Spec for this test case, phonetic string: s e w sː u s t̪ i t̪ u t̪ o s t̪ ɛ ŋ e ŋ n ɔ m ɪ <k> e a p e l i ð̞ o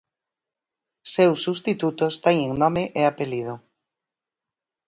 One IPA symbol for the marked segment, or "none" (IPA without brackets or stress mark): ʔ